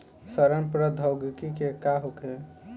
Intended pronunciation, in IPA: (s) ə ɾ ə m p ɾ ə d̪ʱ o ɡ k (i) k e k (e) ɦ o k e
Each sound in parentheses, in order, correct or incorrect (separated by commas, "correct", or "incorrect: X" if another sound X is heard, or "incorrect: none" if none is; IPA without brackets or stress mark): correct, correct, incorrect: a